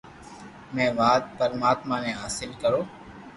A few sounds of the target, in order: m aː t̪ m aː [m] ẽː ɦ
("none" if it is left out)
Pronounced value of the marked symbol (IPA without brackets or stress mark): n